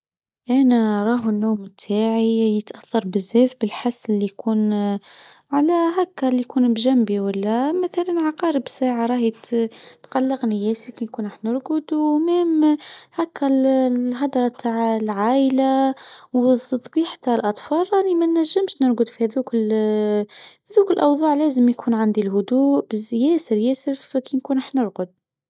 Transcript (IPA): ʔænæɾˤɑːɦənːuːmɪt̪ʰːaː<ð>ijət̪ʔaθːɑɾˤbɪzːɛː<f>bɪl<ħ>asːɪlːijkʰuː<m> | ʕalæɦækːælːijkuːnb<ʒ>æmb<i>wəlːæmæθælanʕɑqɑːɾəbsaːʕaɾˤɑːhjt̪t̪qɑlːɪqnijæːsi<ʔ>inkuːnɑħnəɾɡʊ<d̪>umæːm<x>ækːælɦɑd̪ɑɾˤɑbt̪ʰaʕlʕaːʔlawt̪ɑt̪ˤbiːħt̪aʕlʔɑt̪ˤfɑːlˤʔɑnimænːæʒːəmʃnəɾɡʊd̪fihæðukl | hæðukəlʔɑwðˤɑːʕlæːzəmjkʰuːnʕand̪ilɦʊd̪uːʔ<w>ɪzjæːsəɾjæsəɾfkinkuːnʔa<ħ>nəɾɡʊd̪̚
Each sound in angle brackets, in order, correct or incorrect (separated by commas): incorrect, correct, correct, incorrect, correct, correct, incorrect, correct, incorrect, incorrect, correct